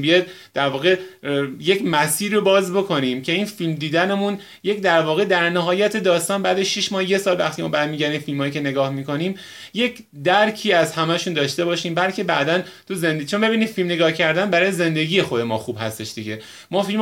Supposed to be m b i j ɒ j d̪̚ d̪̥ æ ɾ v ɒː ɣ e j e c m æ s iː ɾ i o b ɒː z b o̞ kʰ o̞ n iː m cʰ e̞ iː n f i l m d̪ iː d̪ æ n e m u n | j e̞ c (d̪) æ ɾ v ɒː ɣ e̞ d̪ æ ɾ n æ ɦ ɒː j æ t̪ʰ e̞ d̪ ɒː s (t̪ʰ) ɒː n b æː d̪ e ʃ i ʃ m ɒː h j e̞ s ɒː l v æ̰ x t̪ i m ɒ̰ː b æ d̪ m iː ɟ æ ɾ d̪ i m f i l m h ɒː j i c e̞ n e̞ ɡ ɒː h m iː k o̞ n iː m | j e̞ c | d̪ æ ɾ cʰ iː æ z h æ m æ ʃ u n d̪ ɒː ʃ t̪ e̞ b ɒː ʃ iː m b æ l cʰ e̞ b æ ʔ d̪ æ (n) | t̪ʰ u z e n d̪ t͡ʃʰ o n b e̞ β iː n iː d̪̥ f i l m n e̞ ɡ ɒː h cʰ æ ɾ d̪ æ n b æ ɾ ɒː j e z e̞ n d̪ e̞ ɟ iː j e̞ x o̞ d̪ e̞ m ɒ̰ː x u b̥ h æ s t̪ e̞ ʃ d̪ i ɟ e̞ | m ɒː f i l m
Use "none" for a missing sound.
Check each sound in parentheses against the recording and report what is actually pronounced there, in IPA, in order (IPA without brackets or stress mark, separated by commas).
d̪, t̪, n